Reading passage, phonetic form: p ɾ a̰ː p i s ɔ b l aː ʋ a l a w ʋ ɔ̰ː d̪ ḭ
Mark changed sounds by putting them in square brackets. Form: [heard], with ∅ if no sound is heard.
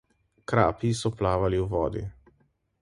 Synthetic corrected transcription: [k] ɾ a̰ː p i s ɔ [p] l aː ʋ a l [i] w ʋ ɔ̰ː d̪ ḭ